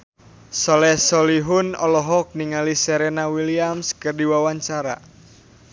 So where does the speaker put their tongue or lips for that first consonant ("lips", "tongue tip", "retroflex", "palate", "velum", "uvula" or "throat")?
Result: tongue tip